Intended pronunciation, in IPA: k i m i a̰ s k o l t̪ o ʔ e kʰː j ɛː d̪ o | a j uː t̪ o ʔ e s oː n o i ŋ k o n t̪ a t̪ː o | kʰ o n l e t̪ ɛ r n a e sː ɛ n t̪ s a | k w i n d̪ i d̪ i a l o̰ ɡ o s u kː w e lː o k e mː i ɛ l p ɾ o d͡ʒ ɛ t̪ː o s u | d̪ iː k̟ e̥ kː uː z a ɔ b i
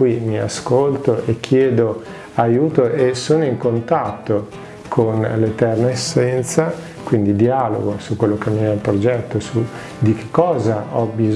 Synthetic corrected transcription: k i m i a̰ s k o l t̪ o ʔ e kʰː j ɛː d̪ o | a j uː t̪ o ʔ e s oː n o i ŋ k o n t̪ a t̪ː o | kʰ o n l e t̪ ɛ r n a e sː ɛ n t̪ s a | k w i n d̪ i d̪ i a l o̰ ɡ o s u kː w e lː o k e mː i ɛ l p ɾ o d͡ʒ ɛ t̪ː o s u | d̪ i k̟ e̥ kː ɔː z a ɔ b i